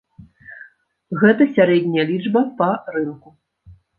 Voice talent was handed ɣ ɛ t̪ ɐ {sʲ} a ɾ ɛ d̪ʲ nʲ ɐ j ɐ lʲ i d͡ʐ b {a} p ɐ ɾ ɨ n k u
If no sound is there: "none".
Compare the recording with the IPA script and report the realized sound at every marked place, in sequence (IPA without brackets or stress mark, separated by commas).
sʲ, ɐ